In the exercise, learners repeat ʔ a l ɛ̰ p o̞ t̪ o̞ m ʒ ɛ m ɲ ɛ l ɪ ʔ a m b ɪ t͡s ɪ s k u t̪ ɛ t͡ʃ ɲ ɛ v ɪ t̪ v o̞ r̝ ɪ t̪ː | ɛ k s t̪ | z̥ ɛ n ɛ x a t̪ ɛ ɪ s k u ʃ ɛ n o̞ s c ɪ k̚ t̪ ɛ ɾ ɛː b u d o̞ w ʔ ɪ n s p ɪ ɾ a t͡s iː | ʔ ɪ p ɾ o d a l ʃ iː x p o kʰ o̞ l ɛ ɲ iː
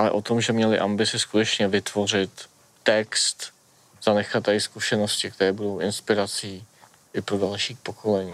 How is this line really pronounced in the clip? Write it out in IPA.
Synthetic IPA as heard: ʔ a l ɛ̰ ʔ o̞ t̪ o̞ m ʒ ɛ m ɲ ɛ l ɪ ʔ a m b ɪ t͡s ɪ s k u t̪ ɛ t͡ʃ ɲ ɛ v ɪ t̪ v o̞ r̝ ɪ t̪ː | ɛ k s t̪ | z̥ a n ɛ x a t̪ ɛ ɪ s k u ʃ ɛ n o̞ s c ɪ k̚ t̪ ɛ ɾ ɛː b u d o̞ w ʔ ɪ n s p ɪ ɾ a t͡s iː | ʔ ɪ p ɾ o d a l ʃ iː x p o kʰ o̞ l ɛ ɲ iː